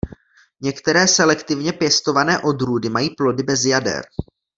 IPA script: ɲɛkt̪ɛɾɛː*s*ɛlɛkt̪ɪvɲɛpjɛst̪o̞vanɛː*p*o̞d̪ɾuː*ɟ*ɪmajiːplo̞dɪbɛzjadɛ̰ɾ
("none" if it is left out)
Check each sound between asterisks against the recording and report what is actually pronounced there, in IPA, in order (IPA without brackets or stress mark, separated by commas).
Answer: s, ʔ, d